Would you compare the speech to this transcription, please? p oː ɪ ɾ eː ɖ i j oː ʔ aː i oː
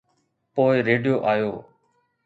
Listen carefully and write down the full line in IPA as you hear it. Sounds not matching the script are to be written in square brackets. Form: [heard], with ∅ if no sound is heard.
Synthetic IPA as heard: p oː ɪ ɾ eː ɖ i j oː ʔ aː [j] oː

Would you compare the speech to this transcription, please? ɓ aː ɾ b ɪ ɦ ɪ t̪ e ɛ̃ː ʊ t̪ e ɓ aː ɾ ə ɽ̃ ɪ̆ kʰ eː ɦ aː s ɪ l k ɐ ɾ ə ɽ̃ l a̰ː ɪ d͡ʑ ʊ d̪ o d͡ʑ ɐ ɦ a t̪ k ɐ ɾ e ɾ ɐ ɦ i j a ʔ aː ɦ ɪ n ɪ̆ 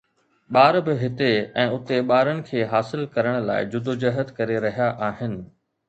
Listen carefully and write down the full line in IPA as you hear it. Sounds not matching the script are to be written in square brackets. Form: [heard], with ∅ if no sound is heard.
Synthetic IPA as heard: ɓ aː ɾ b ɪ ɦ ɪ t̪ e ɛ̃ː ʊ t̪ e ɓ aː ɾ ə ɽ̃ ɪ̆ kʰ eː ɦ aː s ɪ l k ɐ ɾ ə ɽ̃ l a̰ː ɪ d͡ʑ ʊ d̪ o d͡ʑ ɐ ɦ [ə] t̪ k ɐ ɾ e ɾ ɐ ɦ i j a ʔ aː ɦ ɪ n ɪ̆

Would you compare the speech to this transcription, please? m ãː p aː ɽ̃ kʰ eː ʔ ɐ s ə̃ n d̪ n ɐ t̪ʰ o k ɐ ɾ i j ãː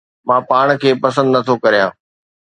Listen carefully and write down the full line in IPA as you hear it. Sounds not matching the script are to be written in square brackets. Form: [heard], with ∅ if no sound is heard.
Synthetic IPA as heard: m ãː p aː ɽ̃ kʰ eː [p] ɐ s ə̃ n d̪ n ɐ t̪ʰ o k ɐ ɾ i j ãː

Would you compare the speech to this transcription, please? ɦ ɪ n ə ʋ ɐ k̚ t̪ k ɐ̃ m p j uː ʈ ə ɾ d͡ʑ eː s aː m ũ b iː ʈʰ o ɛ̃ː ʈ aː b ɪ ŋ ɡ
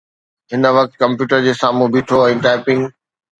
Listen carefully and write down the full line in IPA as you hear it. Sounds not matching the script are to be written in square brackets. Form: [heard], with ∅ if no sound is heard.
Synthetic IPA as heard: ɦ ɪ n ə ʋ ɐ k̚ t̪ k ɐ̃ m p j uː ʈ ə ɾ d͡ʑ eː s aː m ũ b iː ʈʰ o ɛ̃ː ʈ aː [p] ɪ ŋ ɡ

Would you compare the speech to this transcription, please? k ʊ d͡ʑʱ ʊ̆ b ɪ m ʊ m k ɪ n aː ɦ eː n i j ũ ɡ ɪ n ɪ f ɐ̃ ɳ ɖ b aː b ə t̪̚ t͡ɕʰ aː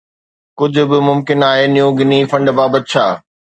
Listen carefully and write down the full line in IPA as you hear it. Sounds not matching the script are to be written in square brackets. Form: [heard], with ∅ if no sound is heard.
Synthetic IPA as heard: k ʊ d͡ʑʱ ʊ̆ b ɪ m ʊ m k ɪ n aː ɦ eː n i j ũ ɡ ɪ n [i] f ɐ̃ ɳ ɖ b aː b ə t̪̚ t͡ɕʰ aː

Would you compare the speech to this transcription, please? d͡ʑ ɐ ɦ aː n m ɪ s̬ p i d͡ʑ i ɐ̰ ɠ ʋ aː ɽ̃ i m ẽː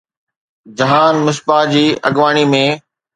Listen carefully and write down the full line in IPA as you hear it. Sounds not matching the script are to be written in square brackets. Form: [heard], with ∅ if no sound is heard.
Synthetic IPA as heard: d͡ʑ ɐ ɦ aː n m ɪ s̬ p [a] d͡ʑ [iː] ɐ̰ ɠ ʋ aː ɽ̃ i m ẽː

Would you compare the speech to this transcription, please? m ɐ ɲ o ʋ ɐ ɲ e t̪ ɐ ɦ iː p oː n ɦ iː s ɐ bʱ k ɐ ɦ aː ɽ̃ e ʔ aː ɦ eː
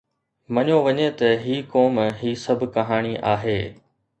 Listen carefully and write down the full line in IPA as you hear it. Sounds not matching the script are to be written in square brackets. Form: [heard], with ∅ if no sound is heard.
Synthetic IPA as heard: m ɐ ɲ o ʋ ɐ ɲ e t̪ ɐ ɦ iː [k] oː [m] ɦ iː s ɐ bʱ k ɐ ɦ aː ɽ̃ [i] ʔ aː ɦ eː

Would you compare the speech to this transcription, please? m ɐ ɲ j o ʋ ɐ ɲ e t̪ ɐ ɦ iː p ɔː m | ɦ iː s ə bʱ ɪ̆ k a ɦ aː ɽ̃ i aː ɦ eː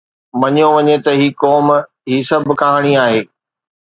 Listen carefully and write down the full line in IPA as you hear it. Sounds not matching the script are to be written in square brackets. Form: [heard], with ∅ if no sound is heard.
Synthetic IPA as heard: m ɐ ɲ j o ʋ ɐ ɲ e t̪ ɐ ɦ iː [k] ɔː m | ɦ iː s [ɐ] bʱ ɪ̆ k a ɦ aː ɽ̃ i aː ɦ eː

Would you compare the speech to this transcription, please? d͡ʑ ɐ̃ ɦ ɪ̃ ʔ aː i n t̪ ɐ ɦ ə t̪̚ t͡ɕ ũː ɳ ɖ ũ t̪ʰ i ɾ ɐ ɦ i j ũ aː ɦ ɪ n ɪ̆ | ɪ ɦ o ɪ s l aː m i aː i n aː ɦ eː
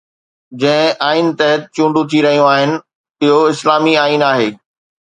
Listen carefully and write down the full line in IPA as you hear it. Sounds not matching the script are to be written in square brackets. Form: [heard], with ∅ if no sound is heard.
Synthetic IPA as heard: d͡ʑ ɐ̃ ɦ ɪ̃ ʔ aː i n t̪ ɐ ɦ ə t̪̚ t͡ɕ ũː ɳ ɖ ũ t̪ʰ i ɾ ɐ ɦ i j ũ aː ɦ ɪ n ɪ̆ | ɪ ɦ o ɪ s l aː m i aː i n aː ɦ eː

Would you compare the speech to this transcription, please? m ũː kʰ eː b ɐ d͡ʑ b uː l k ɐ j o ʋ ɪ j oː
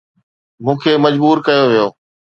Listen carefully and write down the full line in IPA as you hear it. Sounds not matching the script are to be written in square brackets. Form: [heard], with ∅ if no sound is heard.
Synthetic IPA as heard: m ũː kʰ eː [m] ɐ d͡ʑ b uː [ɾ] k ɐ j o ʋ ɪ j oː

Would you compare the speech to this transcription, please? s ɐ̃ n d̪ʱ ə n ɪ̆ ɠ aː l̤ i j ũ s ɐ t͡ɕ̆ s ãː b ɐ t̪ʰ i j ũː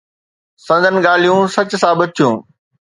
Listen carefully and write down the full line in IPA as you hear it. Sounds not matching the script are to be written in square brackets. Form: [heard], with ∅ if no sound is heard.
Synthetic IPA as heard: s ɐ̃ n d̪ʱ ə n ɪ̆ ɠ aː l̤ i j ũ s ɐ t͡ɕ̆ s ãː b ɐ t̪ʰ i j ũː

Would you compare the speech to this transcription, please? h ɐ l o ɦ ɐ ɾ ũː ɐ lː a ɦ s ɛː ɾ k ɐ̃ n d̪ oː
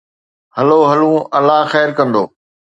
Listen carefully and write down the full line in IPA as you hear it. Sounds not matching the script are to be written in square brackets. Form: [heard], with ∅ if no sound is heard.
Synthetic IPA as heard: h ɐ l o ɦ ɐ [l] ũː ɐ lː a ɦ [x] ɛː ɾ k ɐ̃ n d̪ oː

